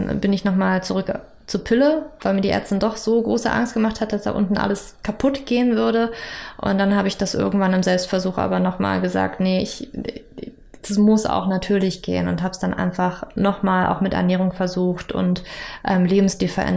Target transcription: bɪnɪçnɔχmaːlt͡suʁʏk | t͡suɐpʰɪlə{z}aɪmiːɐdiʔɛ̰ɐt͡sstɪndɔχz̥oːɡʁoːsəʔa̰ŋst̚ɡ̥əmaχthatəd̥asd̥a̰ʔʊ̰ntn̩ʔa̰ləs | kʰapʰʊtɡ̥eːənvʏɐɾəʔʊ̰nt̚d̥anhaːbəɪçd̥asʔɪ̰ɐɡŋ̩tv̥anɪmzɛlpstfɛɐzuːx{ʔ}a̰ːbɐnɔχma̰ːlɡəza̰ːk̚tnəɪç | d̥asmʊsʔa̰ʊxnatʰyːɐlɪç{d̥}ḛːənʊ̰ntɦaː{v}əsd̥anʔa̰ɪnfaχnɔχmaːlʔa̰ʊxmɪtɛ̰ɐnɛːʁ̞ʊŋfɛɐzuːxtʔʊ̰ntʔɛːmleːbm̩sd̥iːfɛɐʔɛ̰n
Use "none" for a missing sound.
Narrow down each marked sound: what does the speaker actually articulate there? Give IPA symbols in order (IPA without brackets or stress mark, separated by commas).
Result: v, ʔ, ɡ̥, b